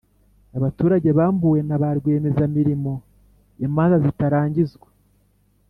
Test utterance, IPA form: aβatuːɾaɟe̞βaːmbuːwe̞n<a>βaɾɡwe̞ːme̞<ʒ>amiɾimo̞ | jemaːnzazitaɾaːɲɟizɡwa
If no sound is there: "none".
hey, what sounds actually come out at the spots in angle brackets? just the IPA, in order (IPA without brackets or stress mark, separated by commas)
a, z